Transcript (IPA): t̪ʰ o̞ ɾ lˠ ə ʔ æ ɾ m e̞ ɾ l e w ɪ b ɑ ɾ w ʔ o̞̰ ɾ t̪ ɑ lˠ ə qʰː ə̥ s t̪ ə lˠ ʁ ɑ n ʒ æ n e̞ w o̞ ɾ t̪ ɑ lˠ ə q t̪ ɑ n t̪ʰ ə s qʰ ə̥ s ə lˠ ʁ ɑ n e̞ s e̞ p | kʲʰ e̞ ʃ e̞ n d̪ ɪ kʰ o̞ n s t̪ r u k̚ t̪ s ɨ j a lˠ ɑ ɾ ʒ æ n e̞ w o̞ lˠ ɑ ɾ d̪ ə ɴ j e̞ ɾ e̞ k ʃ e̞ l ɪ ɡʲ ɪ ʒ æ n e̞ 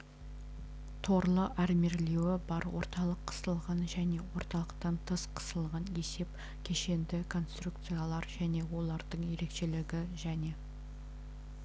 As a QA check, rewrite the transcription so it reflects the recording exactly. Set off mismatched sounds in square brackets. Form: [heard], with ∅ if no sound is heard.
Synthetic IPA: t̪ʰ o̞ ɾ lˠ ə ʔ æ ɾ m e̞ ɾ l e w ɪ b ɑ ɾ w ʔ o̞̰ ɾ t̪ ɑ lˠ ə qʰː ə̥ s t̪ ə lˠ ʁ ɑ n ʒ æ n e̞ w o̞ ɾ t̪ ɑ lˠ ə q t̪ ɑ n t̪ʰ ə s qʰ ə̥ s ə lˠ ʁ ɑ n e̞ s e̞ p | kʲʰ e̞ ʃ e̞ n d̪ ɪ kʰ o̞ n s t̪ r u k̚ t̪ s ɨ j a lˠ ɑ ɾ ʒ æ n e̞ w o̞ lˠ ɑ ɾ d̪ ə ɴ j e̞ ɾ e̞ k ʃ e̞ l ɪ ɡʲ ɪ ʒ æ n e̞